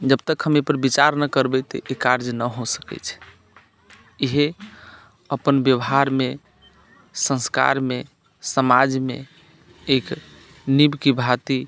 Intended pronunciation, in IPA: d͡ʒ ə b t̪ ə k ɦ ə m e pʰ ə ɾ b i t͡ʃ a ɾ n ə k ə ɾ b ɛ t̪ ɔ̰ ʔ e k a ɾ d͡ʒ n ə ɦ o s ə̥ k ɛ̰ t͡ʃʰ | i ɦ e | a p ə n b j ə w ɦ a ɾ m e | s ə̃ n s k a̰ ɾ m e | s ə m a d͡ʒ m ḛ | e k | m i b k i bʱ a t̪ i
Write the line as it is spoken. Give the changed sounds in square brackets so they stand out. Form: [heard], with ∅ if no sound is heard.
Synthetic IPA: d͡ʒ ə b t̪ ə k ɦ ə m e [p] ə ɾ b i t͡ʃ a ɾ n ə k ə ɾ b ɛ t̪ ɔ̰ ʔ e k a ɾ d͡ʒ n ə ɦ o s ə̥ k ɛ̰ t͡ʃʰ | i ɦ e | [ə] p ə n b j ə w ɦ a ɾ m e | s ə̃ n s k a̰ ɾ m e | s ə m a d͡ʒ m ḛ | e k | [n] i b k i bʱ a t̪ i